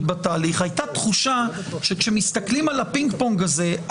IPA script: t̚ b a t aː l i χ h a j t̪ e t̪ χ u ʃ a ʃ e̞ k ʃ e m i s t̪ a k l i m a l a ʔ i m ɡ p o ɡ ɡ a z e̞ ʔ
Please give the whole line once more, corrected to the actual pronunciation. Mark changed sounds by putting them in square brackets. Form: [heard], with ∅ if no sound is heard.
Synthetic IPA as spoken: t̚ b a t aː l i χ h a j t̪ [a] t̪ χ u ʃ a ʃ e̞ k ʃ e m i s t̪ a k l i m a l a [p] i [ŋ] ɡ p o [ŋ] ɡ a z e̞ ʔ

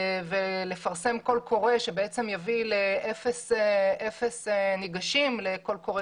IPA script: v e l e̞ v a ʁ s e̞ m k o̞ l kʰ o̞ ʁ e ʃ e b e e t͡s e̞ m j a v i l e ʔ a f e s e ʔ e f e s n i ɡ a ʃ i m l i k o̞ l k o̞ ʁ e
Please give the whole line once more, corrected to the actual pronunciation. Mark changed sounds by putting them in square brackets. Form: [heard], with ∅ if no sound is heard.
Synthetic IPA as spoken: v e l e̞ [f] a ʁ s e̞ m k o̞ l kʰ o̞ ʁ e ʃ e b e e t͡s e̞ m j a v i l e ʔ [e] f e s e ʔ e f e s n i ɡ a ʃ i m l [e] k o̞ l k o̞ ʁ e

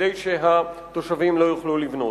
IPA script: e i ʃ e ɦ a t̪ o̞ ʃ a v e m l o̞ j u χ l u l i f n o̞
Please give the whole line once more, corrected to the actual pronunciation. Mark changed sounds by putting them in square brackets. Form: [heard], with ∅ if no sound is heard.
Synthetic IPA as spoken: e [j] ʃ e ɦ a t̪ o̞ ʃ a v [i] m l o̞ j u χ l u l i [v] n o̞

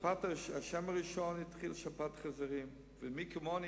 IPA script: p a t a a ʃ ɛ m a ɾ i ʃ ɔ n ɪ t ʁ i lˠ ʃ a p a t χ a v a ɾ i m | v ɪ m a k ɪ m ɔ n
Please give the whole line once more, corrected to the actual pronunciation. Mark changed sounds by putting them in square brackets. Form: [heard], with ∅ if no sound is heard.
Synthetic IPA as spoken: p a t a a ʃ ɛ m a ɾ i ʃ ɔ n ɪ t [χ] i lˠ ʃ a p a t χ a [z] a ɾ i m | v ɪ m [i] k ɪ m ɔ n

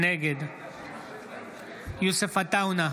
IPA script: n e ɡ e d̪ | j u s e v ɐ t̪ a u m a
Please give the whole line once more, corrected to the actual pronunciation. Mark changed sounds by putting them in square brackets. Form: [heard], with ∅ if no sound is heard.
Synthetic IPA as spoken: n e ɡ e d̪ | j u s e [f] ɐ t̪ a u [n] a

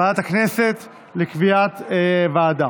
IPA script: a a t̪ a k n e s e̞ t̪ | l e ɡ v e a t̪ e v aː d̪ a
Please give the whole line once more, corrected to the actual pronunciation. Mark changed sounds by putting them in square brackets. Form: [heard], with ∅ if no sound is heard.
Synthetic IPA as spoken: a a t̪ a k n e s e̞ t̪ | l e [k] v [i] a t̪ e v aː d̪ a

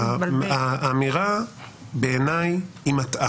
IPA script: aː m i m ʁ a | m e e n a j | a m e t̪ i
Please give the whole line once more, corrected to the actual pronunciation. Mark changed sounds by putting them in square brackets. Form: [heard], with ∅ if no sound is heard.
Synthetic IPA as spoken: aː m i [∅] ʁ a | [b] e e n a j | [i] m [a] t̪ [a]

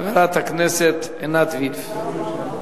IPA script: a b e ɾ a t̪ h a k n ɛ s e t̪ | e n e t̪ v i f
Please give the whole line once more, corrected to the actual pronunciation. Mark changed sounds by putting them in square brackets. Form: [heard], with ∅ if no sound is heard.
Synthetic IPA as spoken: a [v] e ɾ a t̪ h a k n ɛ s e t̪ | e n [a] t̪ v i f

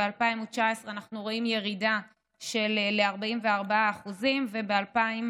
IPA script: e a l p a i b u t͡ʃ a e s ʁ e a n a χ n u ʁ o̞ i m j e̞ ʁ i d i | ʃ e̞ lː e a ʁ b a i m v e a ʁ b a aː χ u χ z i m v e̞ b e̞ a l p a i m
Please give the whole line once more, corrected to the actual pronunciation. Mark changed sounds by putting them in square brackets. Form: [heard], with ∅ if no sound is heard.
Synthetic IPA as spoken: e a l p a i [m] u t͡ʃ a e s ʁ e a n a χ n u ʁ o̞ i m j e̞ ʁ i d [a] | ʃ e̞ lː e a ʁ b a i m v e a ʁ b a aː χ u [∅] z i m v e̞ b e̞ a l p a i m

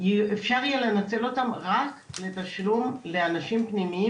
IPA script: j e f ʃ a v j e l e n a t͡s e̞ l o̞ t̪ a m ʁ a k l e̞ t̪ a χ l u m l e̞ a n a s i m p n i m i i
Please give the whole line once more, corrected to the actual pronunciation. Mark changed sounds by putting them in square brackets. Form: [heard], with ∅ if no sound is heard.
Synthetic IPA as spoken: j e f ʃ a [ʁ] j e l e n a t͡s e̞ l o̞ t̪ a m ʁ a k l e̞ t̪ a [ʃ] l u m l e̞ a n a [ʃ] i m p n i m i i

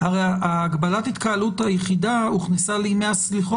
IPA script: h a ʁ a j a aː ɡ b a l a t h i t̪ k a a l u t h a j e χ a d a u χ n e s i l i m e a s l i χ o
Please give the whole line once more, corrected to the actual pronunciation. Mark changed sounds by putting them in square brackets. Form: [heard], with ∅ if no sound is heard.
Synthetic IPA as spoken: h a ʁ [e] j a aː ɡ b a l a t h i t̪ k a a l u t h a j e χ [i] d a u χ n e s [a] l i m e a s l i χ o

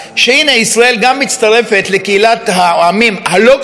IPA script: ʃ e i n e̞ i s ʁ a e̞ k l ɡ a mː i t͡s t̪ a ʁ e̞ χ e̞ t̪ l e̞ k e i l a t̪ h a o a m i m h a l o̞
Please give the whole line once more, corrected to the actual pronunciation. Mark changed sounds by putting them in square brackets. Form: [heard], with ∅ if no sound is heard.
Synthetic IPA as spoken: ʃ e i n e̞ i s ʁ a e̞ [∅] l ɡ a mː i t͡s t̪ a ʁ e̞ [f] e̞ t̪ l e̞ k e i l a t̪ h a o a m i m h a l o̞

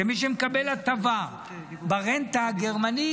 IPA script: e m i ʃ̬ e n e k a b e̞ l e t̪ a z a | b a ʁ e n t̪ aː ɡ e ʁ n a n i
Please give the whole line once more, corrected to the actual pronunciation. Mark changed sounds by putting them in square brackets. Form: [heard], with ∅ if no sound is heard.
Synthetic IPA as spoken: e m i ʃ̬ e [m] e k a b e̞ l [a] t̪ a [v] a | b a ʁ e n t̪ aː ɡ e ʁ [m] a n i

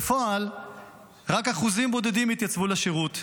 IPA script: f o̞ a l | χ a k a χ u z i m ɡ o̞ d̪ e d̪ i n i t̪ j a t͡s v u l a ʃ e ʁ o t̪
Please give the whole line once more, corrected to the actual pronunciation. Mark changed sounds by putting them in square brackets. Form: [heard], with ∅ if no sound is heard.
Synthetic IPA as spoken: f o̞ a l | [ʁ] a k a χ u z i m [b] o̞ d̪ e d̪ i [m] i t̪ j a t͡s v u l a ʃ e ʁ [u] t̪

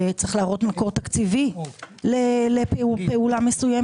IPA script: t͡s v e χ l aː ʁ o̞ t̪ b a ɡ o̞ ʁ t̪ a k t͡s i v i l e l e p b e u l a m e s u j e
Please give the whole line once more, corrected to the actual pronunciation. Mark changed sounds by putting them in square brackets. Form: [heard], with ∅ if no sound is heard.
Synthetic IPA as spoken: t͡s [ʁ] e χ l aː ʁ o̞ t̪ [m] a [k] o̞ ʁ t̪ a k t͡s i v i l e l e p [p] e u l a m e s u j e

